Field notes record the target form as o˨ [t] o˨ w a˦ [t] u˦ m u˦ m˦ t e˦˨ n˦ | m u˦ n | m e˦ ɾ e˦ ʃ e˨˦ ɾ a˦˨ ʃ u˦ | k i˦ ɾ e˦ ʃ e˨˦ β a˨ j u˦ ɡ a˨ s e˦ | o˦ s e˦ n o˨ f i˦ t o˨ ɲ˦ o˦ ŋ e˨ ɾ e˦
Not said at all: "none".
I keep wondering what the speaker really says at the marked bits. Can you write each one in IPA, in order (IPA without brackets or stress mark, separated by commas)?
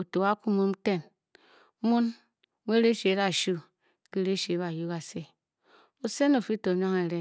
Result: t, k